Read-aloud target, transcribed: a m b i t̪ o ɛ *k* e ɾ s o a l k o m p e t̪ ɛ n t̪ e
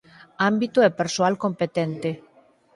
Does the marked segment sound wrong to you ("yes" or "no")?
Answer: yes